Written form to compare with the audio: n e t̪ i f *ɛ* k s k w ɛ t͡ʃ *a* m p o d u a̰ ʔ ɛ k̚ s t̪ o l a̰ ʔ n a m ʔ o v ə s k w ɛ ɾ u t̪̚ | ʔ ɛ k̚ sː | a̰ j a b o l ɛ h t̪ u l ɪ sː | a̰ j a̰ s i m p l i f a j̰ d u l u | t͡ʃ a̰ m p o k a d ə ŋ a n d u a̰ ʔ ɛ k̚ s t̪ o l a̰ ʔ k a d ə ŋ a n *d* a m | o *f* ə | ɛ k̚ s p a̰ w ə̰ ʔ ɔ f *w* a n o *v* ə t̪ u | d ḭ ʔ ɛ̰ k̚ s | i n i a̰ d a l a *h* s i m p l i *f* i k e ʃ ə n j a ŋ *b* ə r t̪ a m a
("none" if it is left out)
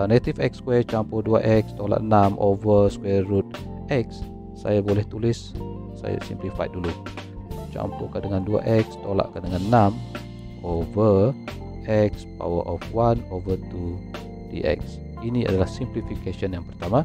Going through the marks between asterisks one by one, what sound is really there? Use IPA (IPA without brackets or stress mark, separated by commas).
ɛ, a, n, v, w, v, h, f, p